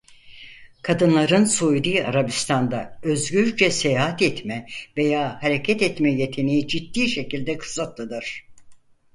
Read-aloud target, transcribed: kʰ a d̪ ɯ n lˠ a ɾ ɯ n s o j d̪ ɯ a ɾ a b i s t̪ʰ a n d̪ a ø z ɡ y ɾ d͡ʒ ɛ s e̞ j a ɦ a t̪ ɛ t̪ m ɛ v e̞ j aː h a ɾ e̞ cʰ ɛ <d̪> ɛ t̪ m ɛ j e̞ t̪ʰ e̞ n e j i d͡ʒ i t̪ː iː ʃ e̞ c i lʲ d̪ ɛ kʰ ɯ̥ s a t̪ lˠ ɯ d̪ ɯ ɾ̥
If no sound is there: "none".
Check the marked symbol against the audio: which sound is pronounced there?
t̪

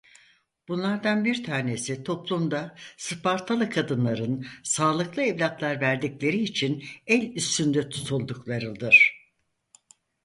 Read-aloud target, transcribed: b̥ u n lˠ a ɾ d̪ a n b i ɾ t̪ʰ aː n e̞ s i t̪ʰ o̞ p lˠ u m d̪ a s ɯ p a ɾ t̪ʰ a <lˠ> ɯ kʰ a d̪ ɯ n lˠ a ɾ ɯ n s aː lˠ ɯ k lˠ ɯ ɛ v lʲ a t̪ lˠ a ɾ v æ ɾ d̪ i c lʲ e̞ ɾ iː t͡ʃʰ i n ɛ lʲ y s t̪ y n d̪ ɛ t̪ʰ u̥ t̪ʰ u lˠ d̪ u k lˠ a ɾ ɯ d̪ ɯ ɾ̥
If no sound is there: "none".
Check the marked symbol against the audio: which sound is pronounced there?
lˠ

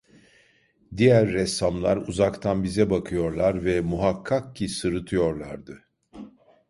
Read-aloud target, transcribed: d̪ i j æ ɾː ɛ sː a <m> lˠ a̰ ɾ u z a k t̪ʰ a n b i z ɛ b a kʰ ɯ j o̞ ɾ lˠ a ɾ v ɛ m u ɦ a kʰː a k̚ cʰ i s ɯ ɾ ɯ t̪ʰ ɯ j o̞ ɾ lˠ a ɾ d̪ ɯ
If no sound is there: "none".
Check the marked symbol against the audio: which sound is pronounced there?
m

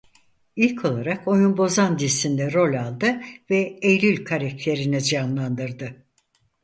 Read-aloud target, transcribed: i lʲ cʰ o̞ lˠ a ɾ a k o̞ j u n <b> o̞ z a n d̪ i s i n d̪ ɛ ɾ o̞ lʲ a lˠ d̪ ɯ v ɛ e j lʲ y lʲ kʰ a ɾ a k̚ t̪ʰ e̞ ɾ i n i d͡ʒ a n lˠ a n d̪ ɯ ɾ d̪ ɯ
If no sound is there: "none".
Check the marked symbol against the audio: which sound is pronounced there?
b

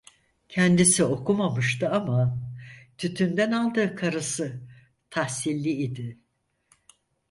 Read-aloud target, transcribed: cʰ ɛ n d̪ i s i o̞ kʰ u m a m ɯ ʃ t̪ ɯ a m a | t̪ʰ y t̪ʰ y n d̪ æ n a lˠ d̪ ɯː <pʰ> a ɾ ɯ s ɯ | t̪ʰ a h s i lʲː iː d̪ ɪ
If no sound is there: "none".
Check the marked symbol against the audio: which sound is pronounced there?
kʰ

